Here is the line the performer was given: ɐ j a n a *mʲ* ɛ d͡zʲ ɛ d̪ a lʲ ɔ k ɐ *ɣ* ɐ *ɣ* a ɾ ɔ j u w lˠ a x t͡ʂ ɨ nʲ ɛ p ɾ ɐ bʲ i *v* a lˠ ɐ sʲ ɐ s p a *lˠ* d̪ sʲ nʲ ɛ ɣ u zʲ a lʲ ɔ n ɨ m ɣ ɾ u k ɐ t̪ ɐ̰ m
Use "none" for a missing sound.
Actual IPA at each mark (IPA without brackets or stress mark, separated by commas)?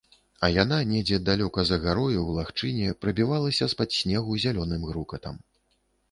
nʲ, z, ɣ, v, none